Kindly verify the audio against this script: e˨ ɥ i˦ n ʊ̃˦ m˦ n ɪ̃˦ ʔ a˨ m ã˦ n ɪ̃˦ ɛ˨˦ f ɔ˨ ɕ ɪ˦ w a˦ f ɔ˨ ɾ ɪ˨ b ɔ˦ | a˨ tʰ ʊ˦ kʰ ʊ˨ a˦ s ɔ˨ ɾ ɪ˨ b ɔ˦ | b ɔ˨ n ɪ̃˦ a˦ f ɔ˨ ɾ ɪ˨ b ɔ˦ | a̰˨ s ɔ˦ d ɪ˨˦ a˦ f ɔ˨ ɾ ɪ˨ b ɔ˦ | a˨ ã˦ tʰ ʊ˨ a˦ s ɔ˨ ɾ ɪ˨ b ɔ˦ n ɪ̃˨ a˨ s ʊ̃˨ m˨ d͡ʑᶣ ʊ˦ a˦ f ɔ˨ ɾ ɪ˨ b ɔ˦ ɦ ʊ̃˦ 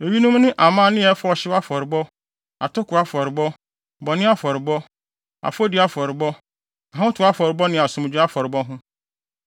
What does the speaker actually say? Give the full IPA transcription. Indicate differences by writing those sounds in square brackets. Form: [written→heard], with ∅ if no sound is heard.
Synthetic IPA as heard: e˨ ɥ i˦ n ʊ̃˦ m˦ n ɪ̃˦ ʔ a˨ m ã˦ n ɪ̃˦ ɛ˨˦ f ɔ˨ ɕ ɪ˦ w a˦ f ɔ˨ ɾ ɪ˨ b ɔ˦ | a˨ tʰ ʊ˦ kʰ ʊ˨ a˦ [s→f] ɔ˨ ɾ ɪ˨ b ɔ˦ | b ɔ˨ n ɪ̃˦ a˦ f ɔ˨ ɾ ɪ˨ b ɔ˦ | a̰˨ [s→f] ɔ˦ d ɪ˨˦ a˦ f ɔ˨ ɾ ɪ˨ b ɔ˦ | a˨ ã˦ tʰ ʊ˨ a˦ [s→f] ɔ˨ ɾ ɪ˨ b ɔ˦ n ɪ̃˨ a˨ s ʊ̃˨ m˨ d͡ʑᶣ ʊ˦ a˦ f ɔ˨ ɾ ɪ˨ b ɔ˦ ɦ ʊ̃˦

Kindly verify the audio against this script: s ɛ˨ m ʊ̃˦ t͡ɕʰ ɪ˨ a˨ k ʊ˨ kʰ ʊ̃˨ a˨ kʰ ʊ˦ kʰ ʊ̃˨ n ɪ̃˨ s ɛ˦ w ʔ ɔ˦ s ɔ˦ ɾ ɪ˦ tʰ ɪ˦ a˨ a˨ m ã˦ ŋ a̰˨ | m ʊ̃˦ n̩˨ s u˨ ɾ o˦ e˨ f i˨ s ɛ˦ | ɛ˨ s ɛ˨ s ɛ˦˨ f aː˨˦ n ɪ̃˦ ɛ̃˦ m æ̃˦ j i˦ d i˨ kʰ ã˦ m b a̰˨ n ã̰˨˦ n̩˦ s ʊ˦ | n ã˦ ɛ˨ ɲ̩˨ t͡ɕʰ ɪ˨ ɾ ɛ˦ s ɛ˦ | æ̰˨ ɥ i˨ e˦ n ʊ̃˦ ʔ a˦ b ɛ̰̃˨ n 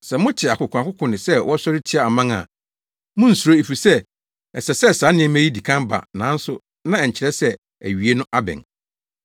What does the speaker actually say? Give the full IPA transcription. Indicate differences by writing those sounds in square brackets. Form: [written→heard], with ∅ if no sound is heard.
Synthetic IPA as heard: s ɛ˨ m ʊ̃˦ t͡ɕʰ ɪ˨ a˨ k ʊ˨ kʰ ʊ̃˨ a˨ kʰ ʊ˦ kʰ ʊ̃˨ n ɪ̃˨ s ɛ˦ w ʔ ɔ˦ s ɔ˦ ɾ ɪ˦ tʰ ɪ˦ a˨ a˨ m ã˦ ŋ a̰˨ | m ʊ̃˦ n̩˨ s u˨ ɾ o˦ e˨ f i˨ s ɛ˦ | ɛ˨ s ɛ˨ s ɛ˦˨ [f→s] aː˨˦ n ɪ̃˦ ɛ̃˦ m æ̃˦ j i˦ d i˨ kʰ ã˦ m b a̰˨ n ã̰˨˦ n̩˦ s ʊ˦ | n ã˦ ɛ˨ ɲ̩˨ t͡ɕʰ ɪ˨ ɾ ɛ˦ s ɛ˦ | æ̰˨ ɥ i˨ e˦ n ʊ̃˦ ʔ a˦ b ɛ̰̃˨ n

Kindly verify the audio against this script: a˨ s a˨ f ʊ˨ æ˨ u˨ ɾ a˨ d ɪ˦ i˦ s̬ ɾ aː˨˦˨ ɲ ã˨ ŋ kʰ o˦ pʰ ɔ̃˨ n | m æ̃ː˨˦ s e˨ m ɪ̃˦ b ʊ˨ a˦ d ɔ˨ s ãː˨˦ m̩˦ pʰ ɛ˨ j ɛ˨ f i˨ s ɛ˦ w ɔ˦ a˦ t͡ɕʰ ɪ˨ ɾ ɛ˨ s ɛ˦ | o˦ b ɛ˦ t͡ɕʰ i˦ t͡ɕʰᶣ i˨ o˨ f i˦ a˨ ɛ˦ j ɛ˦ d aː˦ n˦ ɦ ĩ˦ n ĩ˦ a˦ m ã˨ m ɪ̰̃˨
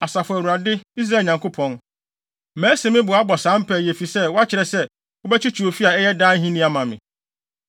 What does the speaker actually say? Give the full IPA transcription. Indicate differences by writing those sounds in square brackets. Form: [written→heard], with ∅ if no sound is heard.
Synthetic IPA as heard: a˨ s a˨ f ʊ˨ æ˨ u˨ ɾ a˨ d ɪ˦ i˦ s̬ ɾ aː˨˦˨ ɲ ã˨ ŋ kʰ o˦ pʰ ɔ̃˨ n | m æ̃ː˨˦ s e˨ m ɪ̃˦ b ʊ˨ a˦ [d→b] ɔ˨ s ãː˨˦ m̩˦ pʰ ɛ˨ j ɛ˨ f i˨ s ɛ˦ w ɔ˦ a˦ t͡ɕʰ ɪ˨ ɾ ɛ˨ s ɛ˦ | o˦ b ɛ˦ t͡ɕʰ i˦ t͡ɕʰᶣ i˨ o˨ f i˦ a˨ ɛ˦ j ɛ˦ d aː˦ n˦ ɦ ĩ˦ n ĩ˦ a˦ m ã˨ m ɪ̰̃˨

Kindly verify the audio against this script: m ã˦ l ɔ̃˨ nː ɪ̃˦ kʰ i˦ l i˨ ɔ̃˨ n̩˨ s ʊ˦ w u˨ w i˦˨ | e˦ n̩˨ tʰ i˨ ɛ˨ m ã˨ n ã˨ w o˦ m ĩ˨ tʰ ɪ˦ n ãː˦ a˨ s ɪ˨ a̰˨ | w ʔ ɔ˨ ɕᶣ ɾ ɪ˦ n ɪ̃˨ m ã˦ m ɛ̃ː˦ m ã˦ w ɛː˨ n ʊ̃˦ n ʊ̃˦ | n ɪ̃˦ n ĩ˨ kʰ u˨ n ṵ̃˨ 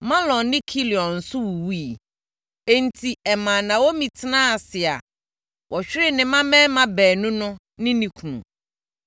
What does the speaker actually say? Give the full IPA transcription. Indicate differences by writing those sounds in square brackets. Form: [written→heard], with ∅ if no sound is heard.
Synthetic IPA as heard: m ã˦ l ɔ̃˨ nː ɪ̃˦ kʰ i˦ l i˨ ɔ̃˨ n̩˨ s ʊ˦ w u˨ w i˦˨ | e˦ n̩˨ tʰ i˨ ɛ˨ m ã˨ n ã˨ w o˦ m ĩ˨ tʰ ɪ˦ n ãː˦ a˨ s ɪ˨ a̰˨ | w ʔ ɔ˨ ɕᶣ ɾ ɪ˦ n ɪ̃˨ m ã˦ m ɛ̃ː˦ m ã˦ [w→b] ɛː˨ n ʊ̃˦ n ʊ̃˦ | n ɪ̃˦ n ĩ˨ kʰ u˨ n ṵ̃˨

